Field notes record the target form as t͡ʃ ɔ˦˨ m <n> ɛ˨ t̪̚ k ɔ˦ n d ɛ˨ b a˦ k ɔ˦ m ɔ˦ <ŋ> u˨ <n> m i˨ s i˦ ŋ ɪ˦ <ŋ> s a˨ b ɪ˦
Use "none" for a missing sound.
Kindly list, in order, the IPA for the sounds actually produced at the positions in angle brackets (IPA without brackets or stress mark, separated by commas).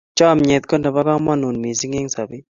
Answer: ɲ, n, n, ŋ